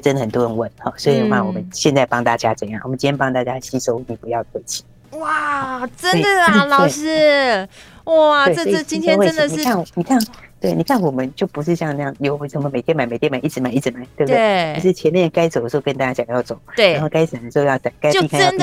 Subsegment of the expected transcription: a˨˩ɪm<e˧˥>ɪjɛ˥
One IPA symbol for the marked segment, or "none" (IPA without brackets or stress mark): e˨˩